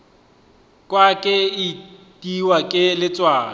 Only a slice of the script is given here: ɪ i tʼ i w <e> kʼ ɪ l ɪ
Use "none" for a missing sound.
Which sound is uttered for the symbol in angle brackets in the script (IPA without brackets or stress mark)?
a